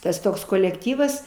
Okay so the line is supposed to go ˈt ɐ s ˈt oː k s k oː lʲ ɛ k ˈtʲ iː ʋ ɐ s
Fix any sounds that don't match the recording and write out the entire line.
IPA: ˈt ɐ s ˈt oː k s k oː lʲ ɛ k ˈtʲ iː ʋ ɐ s